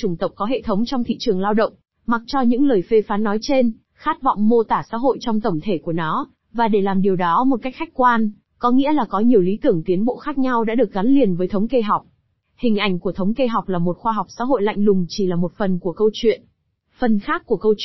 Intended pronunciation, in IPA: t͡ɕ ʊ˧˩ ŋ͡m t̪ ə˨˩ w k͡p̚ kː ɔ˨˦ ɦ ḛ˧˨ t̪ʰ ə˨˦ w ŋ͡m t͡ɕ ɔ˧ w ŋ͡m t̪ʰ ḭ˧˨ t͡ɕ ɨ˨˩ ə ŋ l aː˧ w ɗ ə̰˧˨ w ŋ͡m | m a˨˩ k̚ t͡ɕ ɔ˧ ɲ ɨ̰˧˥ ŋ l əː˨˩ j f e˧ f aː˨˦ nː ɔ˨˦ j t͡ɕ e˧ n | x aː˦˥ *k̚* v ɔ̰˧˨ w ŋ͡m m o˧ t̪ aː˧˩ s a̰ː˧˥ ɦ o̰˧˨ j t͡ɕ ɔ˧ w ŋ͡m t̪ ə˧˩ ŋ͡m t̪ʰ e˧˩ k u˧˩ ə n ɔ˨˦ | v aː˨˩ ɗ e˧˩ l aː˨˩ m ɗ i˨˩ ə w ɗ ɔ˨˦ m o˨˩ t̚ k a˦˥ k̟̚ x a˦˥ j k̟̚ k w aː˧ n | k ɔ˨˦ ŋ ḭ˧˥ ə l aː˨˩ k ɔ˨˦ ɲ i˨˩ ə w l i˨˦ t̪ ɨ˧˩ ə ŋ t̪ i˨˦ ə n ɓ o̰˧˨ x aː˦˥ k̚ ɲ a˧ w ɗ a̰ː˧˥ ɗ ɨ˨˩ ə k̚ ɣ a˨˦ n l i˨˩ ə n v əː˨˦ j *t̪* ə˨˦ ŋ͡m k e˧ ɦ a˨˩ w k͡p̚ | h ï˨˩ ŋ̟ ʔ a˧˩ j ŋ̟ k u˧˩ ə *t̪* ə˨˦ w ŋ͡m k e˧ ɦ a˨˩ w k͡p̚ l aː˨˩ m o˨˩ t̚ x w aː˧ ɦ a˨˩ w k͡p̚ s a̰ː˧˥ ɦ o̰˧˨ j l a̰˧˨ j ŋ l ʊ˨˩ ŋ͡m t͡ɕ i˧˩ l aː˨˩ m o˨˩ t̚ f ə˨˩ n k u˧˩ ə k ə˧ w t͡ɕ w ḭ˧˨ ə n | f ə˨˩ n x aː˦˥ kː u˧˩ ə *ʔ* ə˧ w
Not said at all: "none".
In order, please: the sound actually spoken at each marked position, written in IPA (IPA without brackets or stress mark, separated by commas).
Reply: t̚, t̪ʰ, t̪ʰ, k